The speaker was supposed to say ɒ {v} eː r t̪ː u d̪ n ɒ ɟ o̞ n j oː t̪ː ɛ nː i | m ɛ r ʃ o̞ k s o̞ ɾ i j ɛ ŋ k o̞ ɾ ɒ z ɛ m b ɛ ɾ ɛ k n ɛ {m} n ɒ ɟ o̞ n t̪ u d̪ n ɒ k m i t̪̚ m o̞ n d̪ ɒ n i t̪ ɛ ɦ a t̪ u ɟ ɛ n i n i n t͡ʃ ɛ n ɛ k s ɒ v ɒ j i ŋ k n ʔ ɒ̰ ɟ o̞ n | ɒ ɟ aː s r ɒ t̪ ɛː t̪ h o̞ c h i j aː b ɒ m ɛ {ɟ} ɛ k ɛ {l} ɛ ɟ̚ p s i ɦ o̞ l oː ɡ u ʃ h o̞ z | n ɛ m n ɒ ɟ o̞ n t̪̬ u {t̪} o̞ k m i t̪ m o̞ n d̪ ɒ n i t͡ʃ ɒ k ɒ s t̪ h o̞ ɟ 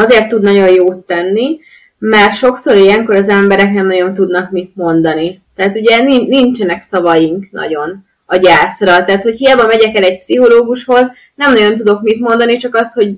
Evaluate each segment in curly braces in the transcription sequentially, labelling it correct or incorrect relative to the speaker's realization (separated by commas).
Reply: incorrect, correct, correct, correct, incorrect